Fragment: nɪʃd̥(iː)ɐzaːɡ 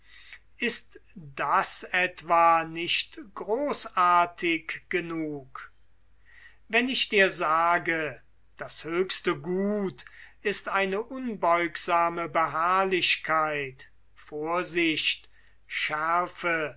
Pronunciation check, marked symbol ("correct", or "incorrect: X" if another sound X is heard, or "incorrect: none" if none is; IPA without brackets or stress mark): correct